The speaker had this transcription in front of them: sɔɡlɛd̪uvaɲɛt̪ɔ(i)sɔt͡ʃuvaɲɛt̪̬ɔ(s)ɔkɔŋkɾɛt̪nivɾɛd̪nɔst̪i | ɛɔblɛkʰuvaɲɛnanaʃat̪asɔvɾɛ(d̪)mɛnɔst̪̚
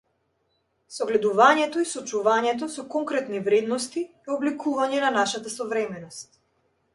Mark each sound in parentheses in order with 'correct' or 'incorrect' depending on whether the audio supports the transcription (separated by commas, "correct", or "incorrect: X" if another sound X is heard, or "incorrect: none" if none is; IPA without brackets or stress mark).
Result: correct, correct, incorrect: none